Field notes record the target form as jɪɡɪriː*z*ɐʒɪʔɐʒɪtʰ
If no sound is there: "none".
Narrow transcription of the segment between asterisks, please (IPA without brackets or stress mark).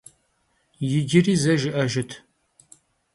z